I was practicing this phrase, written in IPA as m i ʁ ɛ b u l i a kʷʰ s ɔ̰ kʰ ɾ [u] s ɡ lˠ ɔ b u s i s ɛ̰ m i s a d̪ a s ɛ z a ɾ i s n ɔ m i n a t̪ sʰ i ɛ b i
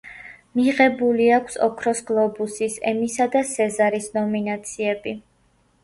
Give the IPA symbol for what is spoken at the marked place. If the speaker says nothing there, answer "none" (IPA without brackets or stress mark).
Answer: ɔ